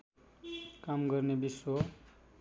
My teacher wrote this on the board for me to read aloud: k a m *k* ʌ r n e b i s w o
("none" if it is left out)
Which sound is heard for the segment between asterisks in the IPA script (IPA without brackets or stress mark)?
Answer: ɡ